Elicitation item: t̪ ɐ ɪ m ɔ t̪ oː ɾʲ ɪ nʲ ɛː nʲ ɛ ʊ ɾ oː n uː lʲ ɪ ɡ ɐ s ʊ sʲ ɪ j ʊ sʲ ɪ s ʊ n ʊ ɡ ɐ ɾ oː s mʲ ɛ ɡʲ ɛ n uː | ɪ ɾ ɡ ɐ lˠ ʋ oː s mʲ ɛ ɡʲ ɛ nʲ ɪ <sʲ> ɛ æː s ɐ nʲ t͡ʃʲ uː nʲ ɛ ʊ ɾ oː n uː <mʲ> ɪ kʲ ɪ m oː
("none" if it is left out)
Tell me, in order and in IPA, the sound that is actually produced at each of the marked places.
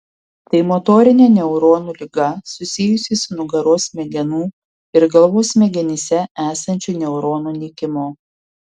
sʲ, nʲ

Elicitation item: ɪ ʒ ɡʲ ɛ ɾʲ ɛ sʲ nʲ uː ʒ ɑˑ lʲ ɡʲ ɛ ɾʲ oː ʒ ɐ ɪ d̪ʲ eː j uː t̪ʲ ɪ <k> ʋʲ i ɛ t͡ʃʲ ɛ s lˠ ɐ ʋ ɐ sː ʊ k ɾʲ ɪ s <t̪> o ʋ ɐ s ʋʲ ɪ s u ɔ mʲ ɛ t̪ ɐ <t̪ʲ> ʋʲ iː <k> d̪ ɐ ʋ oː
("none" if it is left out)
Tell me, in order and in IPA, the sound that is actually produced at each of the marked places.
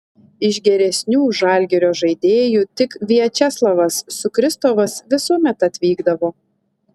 k, t̪, t̪ʲ, ɡ

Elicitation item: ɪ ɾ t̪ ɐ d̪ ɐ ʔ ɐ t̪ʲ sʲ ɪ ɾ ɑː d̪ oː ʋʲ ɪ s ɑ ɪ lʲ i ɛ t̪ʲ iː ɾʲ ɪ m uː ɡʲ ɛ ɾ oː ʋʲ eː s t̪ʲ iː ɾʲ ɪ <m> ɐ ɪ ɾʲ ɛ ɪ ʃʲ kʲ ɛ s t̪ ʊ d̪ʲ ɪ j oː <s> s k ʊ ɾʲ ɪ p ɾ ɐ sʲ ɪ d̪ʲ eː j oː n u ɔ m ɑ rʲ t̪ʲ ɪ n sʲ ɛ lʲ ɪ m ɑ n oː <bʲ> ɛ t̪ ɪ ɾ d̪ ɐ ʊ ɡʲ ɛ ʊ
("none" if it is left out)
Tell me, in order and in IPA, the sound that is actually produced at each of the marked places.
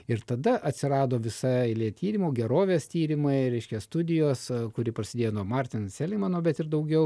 m, s, bʲ

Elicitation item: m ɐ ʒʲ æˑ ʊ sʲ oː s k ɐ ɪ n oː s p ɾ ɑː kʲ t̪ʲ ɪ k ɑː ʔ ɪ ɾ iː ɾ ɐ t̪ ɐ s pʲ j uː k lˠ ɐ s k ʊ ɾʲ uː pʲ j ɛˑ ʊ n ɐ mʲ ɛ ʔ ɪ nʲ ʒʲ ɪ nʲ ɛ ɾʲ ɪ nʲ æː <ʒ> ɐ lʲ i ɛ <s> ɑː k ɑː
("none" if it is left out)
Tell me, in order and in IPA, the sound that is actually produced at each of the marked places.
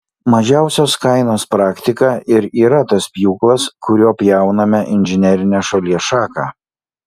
ʃ, ʃ

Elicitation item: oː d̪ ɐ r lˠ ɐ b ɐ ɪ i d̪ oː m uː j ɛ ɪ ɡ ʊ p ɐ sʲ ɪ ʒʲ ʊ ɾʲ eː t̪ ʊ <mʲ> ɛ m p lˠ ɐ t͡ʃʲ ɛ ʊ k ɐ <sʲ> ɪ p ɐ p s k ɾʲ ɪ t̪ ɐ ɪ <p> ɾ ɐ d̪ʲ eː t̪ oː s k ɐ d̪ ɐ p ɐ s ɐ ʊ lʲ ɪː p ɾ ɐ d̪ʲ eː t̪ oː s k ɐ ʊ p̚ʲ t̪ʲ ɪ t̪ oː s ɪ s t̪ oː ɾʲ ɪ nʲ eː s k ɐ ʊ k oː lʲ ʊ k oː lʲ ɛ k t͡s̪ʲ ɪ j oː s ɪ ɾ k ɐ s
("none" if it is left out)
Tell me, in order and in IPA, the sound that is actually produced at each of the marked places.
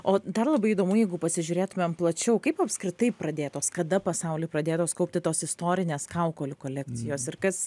mʲ, none, p

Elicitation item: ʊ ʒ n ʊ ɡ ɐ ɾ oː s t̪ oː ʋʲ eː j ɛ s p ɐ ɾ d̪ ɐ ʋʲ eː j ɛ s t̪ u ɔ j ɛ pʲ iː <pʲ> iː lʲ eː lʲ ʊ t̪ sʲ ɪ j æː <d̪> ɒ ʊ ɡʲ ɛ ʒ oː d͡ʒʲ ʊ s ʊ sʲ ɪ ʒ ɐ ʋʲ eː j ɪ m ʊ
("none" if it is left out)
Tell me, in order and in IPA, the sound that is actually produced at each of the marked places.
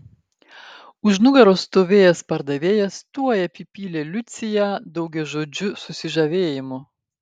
pʲ, d̪

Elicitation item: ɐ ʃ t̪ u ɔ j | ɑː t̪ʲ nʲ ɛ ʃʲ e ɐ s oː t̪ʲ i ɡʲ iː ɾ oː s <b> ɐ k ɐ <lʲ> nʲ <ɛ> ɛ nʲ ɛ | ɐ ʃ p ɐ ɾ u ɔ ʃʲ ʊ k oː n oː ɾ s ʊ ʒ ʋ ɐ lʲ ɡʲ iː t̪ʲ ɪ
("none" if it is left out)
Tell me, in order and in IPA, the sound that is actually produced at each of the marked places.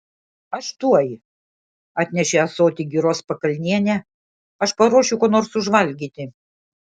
p, lʲ, i

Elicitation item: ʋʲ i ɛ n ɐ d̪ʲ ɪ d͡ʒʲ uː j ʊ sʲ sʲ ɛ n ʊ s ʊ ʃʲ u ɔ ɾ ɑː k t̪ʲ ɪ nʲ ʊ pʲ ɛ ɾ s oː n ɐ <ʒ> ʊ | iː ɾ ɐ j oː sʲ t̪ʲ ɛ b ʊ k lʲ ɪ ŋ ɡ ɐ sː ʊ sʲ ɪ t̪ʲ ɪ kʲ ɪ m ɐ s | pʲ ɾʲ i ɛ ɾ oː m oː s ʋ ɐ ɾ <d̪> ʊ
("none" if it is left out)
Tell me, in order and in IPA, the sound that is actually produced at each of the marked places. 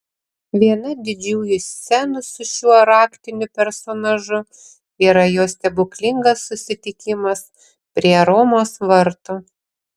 ʒ, t̪

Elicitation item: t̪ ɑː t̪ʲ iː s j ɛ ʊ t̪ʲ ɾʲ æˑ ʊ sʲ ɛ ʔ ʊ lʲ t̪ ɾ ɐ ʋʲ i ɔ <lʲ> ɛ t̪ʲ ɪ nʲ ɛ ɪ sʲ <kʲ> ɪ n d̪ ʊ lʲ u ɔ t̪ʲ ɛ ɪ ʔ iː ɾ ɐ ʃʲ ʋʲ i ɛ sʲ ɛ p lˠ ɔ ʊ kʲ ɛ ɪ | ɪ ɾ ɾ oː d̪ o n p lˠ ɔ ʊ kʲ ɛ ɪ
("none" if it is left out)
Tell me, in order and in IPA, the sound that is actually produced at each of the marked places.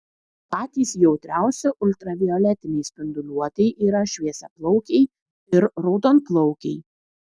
lʲ, pʲ

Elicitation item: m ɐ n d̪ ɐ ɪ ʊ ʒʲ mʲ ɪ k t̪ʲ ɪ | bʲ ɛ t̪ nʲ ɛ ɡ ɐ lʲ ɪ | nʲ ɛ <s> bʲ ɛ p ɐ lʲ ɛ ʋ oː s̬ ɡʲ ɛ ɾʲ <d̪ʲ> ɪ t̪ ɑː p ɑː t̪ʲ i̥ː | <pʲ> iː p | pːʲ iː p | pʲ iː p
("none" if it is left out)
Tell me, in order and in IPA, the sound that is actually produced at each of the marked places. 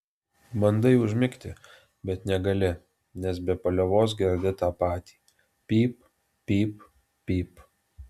s, d̪ʲ, pʲ

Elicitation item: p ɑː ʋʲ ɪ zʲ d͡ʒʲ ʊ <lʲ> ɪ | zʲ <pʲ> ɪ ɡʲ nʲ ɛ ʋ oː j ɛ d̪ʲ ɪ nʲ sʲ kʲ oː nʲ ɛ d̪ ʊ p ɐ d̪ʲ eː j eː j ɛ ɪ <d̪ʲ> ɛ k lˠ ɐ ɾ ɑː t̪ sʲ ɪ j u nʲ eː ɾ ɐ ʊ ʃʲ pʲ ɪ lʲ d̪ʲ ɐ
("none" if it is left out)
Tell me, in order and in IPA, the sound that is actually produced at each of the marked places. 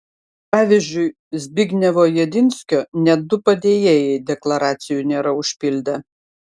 none, bʲ, d̪ʲ

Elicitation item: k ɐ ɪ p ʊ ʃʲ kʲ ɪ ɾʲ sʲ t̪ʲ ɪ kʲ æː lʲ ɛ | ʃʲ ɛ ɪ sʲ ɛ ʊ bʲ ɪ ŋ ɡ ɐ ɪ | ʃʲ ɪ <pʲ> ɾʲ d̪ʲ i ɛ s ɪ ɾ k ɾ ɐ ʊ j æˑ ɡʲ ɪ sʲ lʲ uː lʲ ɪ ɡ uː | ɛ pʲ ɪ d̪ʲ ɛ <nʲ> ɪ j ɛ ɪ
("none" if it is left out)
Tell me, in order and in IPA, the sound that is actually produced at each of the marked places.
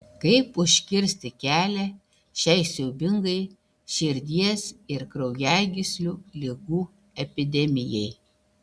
none, mʲ

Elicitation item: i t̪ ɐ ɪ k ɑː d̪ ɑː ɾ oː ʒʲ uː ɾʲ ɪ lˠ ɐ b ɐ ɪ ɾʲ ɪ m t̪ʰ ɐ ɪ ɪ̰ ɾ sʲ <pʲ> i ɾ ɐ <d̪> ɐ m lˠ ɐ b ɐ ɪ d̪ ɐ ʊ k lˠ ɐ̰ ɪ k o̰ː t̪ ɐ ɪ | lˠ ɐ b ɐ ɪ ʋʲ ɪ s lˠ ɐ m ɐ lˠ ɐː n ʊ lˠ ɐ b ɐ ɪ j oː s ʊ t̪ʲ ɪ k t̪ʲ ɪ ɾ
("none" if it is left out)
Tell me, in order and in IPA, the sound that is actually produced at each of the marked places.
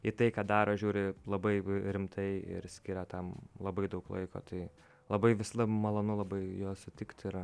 kʲ, t̪

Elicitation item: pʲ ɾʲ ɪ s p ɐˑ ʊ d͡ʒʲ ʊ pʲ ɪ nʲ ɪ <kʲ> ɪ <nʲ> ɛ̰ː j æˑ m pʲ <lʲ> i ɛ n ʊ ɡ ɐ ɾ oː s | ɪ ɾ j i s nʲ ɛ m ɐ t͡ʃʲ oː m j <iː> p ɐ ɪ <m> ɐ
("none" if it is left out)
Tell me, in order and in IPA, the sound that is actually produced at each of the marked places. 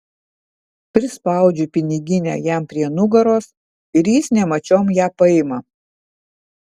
ɡʲ, nʲ, ɾʲ, æː, m

